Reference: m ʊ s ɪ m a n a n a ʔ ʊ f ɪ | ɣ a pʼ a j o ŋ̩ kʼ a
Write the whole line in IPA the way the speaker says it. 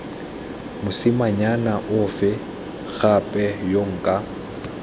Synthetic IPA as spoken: m ʊ s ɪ m a ɲ a n a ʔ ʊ f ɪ | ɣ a pʼ ɛ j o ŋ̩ kʼ a